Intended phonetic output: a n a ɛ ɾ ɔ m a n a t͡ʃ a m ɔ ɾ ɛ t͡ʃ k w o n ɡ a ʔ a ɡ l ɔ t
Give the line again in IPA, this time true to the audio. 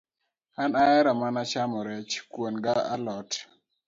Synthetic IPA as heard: a n a ɛ ɾ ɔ m a n a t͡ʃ a m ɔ ɾ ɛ t͡ʃ k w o n ɡ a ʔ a l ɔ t